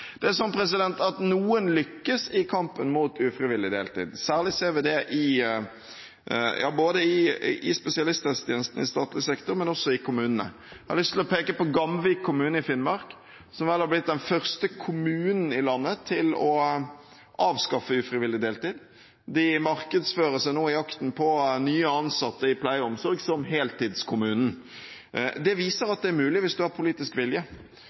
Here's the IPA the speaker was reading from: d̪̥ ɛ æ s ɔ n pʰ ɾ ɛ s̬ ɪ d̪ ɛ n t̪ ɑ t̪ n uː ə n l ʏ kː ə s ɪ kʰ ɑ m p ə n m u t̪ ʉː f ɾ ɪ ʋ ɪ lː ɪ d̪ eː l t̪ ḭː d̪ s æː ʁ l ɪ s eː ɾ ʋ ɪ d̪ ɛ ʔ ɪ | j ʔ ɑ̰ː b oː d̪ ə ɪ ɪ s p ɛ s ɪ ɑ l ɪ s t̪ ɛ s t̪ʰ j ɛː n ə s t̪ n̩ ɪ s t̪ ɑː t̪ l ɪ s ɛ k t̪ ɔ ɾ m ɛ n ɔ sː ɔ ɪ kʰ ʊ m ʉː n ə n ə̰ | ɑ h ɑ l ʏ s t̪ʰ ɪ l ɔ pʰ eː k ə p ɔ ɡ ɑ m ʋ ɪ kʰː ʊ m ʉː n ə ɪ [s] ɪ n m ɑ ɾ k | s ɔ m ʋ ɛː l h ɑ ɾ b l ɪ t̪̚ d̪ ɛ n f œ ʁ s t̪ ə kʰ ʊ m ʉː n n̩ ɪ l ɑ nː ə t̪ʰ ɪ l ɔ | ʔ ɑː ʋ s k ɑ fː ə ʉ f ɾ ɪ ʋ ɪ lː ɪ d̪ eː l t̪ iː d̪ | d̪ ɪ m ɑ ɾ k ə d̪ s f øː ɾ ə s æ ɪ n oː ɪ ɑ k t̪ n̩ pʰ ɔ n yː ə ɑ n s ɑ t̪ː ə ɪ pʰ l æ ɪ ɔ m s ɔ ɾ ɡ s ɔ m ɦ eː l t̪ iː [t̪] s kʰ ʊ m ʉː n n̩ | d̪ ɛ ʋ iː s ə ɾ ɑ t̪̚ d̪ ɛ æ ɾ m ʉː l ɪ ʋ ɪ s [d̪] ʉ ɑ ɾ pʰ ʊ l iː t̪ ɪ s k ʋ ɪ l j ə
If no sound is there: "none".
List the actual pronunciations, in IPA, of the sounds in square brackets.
f, d̪, d̪

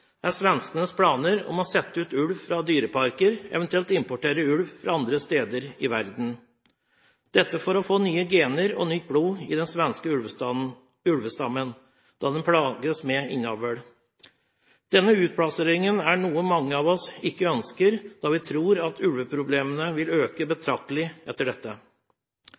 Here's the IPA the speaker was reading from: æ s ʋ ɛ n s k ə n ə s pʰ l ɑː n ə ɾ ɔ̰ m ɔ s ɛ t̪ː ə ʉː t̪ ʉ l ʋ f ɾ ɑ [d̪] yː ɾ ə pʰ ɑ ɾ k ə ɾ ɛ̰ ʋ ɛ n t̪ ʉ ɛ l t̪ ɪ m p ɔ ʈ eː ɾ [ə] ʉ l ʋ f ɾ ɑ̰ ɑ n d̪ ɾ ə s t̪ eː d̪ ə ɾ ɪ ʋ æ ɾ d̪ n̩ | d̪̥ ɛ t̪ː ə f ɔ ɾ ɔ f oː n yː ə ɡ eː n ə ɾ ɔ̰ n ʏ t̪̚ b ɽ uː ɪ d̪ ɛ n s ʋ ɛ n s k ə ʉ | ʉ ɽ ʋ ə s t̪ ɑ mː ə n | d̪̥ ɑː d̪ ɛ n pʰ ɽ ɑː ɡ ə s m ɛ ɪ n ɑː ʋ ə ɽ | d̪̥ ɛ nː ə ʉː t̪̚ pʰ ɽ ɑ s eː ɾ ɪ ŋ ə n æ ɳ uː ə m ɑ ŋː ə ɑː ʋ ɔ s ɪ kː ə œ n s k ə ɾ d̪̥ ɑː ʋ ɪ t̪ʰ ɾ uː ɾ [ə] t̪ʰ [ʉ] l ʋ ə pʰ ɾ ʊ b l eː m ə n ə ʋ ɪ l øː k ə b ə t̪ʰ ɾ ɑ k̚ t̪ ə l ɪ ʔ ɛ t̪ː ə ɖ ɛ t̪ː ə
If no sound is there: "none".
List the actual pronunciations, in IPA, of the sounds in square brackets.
d̪, ə, ɑ, ʉ

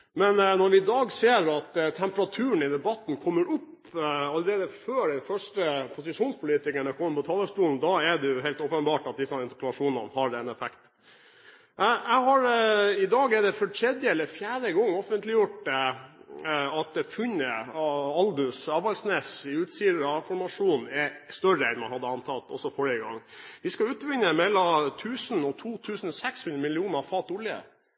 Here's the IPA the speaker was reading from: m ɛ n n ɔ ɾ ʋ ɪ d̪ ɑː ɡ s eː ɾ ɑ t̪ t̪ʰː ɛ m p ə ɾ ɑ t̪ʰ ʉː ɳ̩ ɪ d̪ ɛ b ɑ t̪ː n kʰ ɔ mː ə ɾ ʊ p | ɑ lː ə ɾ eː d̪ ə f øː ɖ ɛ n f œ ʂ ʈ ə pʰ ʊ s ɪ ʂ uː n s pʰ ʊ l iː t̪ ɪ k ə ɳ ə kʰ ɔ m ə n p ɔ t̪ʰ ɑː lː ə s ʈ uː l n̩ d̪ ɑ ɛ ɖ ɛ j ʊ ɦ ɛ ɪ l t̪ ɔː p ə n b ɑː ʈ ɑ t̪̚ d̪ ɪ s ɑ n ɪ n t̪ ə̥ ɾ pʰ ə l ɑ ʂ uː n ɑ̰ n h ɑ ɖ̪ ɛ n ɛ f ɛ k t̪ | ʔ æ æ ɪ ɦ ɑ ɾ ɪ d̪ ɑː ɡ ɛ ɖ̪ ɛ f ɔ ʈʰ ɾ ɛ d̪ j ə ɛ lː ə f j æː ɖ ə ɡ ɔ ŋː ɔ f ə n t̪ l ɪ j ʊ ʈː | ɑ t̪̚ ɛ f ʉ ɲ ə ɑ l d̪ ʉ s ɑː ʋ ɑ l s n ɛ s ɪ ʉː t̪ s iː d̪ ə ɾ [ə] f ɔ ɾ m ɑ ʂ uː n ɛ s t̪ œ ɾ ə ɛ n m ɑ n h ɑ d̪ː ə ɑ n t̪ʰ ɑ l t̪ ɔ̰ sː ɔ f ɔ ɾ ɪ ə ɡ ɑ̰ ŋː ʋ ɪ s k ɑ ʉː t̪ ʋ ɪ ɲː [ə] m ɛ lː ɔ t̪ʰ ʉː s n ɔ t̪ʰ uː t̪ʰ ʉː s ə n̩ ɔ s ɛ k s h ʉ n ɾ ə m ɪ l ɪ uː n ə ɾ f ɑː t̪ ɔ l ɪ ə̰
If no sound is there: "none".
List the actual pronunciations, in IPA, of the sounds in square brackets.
ɑ, ə

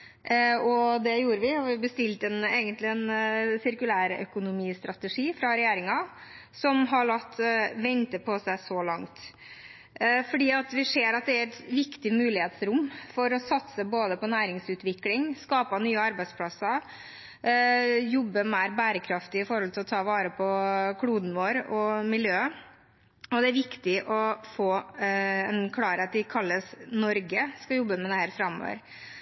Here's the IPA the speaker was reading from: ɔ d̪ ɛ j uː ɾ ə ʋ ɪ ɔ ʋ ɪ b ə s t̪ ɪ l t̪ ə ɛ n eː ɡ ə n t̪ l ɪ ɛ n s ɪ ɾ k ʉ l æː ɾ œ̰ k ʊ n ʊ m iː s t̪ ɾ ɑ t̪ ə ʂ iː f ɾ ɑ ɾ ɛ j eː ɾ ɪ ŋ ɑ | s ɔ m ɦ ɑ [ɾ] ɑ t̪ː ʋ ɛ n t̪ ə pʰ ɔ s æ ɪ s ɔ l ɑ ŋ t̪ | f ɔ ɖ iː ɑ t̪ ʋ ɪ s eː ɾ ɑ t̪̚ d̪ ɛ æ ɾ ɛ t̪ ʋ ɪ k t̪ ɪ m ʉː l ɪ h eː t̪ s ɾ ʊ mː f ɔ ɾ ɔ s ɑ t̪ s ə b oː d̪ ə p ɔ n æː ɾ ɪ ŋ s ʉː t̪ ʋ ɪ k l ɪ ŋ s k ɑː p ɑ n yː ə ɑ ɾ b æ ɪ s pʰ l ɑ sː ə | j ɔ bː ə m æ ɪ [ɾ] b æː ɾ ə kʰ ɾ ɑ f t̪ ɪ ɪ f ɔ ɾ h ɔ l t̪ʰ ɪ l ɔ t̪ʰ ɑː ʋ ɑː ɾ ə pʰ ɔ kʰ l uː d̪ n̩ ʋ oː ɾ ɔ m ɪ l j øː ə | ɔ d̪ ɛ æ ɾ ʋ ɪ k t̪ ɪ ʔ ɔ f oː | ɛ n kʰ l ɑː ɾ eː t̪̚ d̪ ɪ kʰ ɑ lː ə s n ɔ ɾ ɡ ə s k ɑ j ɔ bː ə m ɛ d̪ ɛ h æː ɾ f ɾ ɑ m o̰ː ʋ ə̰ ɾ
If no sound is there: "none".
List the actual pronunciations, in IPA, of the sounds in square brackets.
ɭ, ɾ

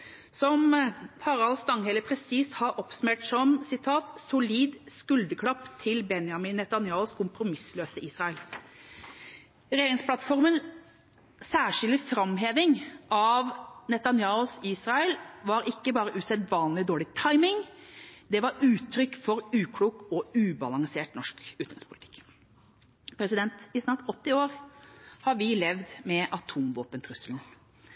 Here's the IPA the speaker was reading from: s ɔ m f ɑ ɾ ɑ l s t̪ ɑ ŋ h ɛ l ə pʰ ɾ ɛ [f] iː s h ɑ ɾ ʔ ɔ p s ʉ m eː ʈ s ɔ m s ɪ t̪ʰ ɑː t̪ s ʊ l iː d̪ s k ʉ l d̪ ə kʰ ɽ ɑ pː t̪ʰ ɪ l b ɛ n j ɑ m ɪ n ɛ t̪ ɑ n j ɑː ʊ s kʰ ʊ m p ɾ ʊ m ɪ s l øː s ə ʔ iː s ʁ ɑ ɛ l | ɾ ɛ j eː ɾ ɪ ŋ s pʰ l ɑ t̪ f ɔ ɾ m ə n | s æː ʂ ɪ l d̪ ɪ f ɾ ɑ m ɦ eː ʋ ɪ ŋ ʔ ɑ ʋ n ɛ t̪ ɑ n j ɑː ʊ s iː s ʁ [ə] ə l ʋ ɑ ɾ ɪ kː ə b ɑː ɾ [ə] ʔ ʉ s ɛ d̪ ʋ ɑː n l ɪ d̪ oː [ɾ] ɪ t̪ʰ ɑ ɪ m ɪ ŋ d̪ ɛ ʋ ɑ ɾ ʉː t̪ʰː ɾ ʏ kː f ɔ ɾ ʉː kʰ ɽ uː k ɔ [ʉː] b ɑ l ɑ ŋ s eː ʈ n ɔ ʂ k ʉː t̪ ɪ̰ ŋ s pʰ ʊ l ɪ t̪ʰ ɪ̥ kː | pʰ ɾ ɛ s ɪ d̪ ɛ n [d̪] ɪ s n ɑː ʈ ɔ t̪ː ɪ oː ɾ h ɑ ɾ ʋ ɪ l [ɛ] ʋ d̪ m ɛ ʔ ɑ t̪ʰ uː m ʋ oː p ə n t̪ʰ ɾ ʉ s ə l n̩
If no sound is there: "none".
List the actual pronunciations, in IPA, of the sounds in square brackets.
s, ɑ, ə, ɭ, ʉː, t̪, ɛ

